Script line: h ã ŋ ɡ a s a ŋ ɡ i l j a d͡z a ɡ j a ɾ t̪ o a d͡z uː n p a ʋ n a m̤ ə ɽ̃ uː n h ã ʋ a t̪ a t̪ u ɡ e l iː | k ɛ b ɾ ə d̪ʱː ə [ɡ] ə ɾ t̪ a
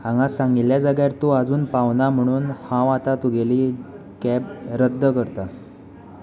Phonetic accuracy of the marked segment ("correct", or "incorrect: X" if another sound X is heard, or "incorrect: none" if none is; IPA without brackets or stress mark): incorrect: k